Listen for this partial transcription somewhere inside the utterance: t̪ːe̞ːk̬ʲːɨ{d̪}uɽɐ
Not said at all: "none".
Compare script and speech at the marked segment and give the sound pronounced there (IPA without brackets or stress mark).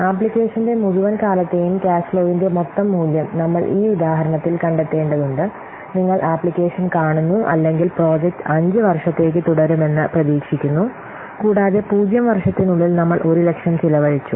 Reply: t̪